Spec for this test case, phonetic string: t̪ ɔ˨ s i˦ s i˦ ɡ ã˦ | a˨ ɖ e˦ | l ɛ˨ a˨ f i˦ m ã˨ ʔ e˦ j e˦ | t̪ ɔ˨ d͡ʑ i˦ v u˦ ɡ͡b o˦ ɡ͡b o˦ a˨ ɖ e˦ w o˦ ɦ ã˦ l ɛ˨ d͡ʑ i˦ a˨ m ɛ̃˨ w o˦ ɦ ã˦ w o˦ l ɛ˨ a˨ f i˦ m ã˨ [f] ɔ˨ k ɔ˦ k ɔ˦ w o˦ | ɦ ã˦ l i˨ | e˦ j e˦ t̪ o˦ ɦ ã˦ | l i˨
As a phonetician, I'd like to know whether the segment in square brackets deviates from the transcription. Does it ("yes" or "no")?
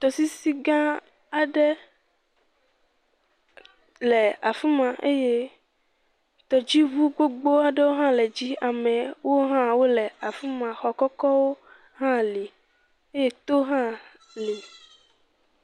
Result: yes